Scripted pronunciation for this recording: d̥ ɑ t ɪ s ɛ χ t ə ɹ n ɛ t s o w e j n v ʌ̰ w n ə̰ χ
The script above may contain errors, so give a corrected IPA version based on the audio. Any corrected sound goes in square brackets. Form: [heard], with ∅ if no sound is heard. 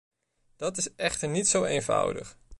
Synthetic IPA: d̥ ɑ t ɪ s ɛ χ t ə ɹ n [i] t s o w e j n v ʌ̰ w [d] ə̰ χ